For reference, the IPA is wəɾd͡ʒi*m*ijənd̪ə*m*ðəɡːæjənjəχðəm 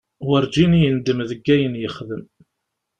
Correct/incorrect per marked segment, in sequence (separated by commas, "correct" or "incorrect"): incorrect, correct